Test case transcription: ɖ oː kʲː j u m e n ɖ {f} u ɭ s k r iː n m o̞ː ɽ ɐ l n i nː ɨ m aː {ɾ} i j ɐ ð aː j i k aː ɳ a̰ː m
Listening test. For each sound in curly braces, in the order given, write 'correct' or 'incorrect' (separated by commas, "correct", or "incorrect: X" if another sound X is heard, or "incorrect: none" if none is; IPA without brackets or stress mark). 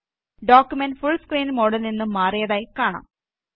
correct, incorrect: r